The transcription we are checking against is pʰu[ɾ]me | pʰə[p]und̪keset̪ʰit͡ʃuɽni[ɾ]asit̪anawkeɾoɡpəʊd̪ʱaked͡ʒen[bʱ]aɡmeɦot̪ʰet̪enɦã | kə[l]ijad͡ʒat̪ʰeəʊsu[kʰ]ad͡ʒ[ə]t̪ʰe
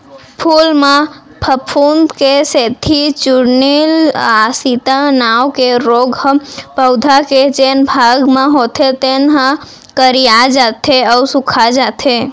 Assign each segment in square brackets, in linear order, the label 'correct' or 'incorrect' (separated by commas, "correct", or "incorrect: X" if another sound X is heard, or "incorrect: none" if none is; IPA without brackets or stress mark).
incorrect: l, incorrect: pʰ, incorrect: l, correct, incorrect: ɾ, correct, incorrect: a